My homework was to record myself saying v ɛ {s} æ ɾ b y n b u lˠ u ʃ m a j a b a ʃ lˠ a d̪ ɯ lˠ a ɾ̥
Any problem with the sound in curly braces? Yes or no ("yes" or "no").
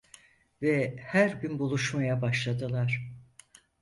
yes